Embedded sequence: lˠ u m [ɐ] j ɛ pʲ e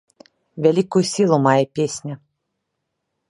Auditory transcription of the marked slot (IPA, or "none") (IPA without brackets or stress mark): a